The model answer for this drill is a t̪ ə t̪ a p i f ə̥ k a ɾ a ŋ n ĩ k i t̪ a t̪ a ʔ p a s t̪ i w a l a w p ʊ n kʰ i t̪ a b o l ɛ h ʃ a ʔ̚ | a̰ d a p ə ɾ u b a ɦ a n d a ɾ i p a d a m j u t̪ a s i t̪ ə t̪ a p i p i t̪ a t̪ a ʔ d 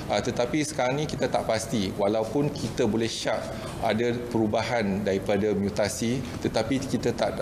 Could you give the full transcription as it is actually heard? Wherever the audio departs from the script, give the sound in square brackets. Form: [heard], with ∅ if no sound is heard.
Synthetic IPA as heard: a t̪ ə t̪ a p i [s] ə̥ k a ɾ a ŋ n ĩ k i t̪ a t̪ a ʔ p a s t̪ i w a l a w p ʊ n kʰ i t̪ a b o l ɛ h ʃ a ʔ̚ | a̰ d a p ə ɾ u b a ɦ a n d a ɾ i p a d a m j u t̪ a s i t̪ ə t̪ a p i [k] i t̪ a t̪ a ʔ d

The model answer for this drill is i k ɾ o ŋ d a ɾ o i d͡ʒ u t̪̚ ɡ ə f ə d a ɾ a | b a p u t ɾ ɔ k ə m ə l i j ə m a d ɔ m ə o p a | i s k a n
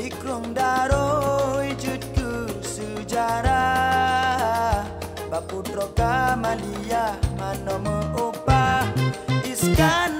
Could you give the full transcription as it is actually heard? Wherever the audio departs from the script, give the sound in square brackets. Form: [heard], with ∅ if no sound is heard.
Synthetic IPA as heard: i k ɾ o ŋ d a ɾ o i d͡ʒ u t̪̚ [k] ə [s] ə [d͡ʒ] a ɾ a | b a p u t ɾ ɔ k [a] m [a] l i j [a] m a [n] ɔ m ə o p a | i s k a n

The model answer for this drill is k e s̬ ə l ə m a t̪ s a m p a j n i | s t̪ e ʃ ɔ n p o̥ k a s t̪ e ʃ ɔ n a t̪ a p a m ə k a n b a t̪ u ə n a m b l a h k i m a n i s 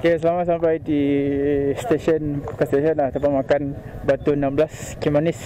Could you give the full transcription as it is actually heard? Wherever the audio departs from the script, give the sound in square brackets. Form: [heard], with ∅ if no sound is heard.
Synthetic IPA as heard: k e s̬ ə l [a] m a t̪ s a m p a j [d] i | s t̪ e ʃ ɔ n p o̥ k a s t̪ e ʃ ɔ n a t̪ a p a m [a] k a n b a t̪ u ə n a m b l a [s] k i m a n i s

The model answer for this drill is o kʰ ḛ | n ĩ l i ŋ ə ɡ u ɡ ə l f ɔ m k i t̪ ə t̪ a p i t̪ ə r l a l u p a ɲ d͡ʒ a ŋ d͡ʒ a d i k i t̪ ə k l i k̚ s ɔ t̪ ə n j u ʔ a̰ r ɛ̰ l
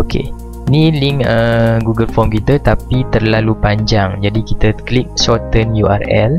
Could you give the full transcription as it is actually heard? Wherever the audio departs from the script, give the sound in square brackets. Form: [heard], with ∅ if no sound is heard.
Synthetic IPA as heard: o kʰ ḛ | n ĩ l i ŋ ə ɡ u ɡ ə l f ɔ m k i t̪ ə t̪ a p i t̪ ə r l a l u p a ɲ d͡ʒ a ŋ d͡ʒ a d i k i t̪ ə k l i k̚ s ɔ t̪ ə n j u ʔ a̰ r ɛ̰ l

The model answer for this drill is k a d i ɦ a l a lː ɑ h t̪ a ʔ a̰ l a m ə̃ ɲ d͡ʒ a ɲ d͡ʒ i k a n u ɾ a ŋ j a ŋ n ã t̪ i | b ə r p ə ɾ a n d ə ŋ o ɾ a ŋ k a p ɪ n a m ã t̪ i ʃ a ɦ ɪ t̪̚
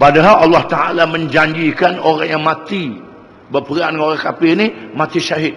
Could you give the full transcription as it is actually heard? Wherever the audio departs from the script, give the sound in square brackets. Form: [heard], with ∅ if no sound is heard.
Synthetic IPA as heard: [p] a d [a] ɦ a l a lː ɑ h t̪ a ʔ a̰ l a m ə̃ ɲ d͡ʒ a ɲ d͡ʒ i k a n [o] ɾ a ŋ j a ŋ [m] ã t̪ i | b ə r p ə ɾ a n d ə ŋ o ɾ a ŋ k a p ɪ n [i] m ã t̪ i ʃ a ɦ ɪ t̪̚

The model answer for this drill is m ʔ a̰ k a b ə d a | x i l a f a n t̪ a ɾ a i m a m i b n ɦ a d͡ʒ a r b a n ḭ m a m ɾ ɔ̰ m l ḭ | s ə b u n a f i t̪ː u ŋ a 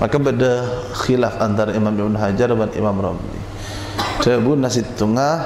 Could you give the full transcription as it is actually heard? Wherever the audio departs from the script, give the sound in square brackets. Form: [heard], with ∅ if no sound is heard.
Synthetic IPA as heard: m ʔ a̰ k a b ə d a | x i l a f a n t̪ a ɾ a i m a m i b n ɦ a d͡ʒ a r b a n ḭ m a m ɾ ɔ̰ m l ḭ | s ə b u n a [s] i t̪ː u ŋ a

